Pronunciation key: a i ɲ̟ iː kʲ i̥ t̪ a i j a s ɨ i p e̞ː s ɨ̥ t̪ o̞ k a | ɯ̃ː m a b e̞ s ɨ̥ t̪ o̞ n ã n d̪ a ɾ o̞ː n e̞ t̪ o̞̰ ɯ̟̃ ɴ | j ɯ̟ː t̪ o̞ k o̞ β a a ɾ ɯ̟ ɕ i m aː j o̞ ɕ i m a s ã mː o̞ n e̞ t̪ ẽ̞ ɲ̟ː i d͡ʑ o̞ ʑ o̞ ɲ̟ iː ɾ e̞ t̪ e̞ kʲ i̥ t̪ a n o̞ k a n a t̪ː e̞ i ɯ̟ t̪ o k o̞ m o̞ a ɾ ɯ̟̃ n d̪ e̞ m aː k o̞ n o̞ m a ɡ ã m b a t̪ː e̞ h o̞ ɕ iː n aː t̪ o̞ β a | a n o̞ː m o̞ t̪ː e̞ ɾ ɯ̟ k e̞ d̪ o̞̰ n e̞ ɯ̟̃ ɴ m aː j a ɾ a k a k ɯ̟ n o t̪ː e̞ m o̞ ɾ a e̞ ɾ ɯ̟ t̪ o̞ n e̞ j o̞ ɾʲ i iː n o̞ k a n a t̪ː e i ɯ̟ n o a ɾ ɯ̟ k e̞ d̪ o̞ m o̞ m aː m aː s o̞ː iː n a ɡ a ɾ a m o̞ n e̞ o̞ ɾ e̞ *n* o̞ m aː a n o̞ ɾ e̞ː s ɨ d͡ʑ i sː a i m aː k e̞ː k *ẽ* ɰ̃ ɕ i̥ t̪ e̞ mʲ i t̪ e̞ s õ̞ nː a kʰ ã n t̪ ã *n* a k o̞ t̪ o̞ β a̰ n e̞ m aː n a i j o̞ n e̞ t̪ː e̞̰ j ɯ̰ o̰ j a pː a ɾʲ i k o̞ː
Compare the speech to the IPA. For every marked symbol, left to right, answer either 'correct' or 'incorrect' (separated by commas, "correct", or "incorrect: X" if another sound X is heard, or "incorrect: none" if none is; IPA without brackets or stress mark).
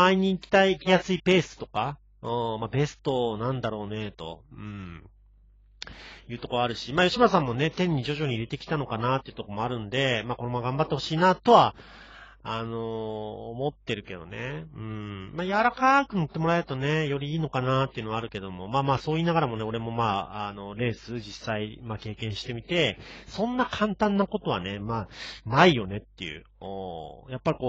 incorrect: m, correct, incorrect: nː